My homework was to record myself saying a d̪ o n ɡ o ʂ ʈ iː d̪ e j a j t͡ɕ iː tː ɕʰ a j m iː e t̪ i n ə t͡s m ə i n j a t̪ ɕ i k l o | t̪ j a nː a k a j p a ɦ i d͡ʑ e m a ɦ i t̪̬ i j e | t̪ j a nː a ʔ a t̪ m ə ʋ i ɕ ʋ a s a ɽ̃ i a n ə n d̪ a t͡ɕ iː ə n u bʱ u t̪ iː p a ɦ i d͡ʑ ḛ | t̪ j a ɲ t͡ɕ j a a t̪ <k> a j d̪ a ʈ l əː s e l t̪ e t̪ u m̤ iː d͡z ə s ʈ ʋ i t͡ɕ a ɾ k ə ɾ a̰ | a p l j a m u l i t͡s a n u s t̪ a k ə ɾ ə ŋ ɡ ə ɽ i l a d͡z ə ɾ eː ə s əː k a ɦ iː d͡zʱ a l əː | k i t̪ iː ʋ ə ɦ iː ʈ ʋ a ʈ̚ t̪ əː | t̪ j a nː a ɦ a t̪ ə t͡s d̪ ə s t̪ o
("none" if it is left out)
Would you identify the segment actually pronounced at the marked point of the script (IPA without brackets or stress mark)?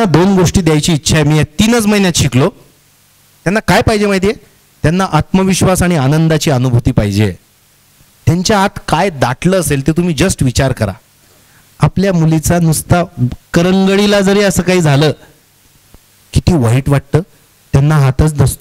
k